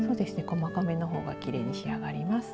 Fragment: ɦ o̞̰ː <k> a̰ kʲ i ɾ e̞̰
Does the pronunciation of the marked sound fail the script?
yes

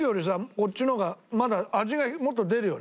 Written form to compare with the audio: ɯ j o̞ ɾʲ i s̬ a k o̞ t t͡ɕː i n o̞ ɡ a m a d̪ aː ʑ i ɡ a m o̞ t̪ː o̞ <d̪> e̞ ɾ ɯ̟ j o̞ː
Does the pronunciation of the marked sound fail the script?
no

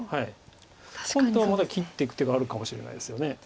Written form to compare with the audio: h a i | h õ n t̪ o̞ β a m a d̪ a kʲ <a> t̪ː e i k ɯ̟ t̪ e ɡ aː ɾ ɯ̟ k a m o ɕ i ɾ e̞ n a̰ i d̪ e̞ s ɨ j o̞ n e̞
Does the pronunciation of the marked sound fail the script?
yes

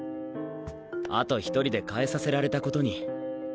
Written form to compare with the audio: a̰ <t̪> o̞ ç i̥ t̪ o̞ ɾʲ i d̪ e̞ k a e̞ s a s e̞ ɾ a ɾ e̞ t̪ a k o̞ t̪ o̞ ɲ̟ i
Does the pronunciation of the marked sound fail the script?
no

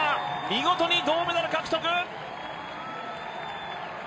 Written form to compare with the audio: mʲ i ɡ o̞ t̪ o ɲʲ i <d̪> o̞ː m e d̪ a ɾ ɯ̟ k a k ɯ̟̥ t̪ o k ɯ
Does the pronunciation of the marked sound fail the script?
no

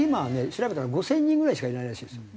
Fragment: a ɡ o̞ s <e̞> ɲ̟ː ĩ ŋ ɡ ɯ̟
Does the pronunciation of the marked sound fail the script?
yes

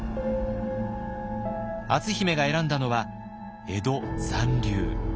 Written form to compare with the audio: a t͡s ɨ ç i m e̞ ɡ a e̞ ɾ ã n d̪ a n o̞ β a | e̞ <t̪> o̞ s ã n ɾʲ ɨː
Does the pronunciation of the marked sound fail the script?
yes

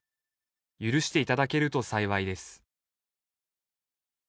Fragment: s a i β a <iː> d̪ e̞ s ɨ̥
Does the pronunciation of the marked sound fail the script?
yes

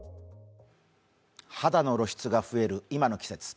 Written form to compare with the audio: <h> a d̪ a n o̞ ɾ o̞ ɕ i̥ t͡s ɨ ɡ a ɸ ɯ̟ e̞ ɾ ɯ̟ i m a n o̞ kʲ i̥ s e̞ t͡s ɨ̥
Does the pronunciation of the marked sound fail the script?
no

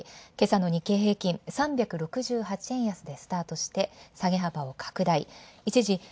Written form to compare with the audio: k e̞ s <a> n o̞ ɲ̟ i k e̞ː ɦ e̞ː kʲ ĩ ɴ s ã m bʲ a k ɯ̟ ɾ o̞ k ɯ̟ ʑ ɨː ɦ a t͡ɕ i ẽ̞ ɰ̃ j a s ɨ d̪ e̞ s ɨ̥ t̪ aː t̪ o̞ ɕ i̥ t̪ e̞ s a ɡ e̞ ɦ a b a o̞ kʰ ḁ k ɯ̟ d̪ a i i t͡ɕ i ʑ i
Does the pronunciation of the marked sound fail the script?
no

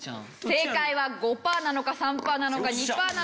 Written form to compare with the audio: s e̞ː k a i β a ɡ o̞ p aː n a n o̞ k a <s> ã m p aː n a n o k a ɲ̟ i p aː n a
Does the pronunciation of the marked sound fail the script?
no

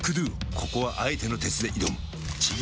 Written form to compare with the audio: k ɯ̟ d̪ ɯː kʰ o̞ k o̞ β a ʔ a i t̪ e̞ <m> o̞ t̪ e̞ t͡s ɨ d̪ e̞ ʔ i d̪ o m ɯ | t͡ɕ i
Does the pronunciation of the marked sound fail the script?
yes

